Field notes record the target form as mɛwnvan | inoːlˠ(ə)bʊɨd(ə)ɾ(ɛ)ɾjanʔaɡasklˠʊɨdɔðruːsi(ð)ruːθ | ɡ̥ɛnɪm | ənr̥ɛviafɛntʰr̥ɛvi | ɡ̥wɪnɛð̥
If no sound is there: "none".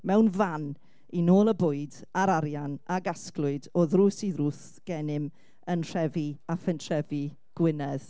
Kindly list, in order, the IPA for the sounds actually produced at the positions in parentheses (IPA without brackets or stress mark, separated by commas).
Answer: ə, a, a, ð